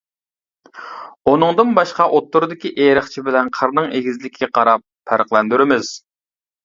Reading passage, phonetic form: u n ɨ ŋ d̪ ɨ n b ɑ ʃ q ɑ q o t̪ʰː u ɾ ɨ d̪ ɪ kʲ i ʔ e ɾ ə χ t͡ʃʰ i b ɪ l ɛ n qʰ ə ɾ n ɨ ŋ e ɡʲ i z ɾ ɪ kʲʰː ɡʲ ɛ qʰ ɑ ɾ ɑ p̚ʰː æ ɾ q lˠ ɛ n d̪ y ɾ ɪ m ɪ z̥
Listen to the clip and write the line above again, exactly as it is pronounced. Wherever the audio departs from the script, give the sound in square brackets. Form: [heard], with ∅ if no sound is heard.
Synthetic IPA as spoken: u n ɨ ŋ d̪ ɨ n b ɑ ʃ q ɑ [ʔ] o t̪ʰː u ɾ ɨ d̪ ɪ kʲ i ʔ e ɾ ə χ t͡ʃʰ i b ɪ l ɛ n qʰ ə ɾ n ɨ ŋ e ɡʲ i z [l] ɪ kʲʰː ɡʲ ɛ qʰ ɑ ɾ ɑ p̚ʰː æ ɾ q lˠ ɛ n d̪ y ɾ ɪ m ɪ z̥